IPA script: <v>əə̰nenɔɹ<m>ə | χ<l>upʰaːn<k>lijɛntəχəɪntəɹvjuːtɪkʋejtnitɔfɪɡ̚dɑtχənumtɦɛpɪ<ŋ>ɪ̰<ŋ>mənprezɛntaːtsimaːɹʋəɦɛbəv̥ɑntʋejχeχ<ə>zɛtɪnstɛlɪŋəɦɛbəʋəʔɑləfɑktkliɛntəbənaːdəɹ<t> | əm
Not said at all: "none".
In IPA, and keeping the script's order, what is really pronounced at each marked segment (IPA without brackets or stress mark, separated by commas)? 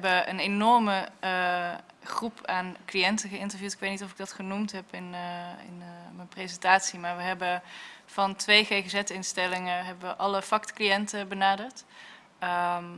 b, m, r, k, n, n, ə, t